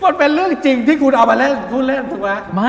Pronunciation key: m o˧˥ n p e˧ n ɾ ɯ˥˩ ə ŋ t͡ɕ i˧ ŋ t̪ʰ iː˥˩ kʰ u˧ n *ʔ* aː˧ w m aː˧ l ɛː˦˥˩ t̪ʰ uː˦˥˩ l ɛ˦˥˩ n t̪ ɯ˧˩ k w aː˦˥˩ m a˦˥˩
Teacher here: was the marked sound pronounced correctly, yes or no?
yes